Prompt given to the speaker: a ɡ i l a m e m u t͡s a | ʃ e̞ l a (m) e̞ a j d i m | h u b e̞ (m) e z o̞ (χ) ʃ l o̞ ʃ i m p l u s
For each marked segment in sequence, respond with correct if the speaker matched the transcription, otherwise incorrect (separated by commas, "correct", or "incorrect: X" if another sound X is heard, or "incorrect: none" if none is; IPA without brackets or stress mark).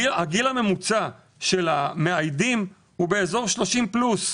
correct, incorrect: none, incorrect: ʁ